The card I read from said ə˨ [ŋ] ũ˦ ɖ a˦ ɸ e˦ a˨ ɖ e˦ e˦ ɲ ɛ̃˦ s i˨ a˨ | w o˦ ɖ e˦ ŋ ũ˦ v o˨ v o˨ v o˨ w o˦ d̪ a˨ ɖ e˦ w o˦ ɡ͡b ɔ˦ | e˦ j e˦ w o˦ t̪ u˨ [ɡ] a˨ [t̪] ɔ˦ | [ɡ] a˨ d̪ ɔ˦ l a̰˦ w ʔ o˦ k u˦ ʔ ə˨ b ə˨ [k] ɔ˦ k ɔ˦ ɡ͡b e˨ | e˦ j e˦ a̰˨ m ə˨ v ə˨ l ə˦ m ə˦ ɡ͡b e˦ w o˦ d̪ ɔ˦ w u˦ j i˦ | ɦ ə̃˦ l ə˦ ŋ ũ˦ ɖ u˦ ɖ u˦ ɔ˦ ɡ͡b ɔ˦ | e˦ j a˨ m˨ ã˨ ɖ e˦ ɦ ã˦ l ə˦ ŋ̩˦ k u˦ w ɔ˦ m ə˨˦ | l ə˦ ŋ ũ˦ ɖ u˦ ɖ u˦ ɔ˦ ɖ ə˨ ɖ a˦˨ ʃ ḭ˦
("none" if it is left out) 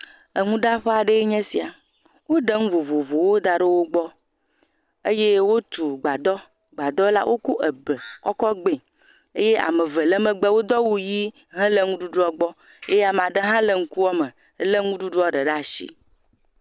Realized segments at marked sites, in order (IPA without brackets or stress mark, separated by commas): ŋ, ɡ͡b, d̪, ɡ͡b, k